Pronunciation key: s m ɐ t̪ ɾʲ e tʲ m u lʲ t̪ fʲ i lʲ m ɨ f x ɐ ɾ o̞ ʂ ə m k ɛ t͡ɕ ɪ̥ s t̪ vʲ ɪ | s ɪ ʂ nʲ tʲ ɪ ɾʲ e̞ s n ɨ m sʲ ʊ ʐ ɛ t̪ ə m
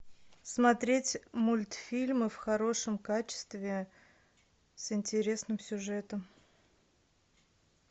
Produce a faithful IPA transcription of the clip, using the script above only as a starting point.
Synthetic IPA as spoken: s m ɐ t̪ ɾʲ e tʲ m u lʲ t̪ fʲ i lʲ m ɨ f x ɐ ɾ o̞ ʂ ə m k a t͡ɕ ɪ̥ s t̪ vʲ ɪ | s ɪ nʲ tʲ ɪ ɾʲ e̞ s n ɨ m sʲ ʊ ʐ ɛ t̪ ə m